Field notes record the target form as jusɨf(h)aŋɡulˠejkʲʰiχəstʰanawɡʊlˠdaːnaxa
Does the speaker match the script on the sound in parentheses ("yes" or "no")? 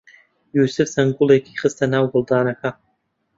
no